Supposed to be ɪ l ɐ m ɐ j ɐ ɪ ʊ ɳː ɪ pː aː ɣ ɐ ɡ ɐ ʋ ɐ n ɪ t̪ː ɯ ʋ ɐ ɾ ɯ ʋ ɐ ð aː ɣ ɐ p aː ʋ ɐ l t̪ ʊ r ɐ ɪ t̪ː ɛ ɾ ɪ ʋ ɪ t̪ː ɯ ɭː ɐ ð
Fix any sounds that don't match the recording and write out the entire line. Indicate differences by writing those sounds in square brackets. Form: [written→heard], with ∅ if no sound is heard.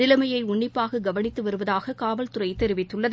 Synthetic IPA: ɪ l ɐ m ɐ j ɐ ɪ ʊ ɳː ɪ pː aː ɣ ɐ ɡ ɐ ʋ ɐ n ɪ t̪ː ɯ ʋ ɐ ɾ ɯ ʋ ɐ ð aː ɣ ɐ [p→k] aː ʋ ɐ l t̪ ʊ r ɐ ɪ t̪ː ɛ ɾ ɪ ʋ ɪ t̪ː ɯ ɭː ɐ ð